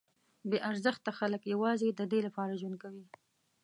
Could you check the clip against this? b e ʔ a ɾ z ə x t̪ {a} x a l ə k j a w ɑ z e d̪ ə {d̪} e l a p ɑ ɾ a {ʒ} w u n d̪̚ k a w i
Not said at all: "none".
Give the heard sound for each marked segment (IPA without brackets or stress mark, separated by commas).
a, d̪, ʒ